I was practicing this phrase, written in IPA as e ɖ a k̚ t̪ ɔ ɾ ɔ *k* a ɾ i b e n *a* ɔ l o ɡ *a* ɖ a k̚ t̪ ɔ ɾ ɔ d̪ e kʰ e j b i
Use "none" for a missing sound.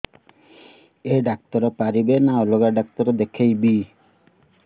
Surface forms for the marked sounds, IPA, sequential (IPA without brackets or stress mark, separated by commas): p, a, a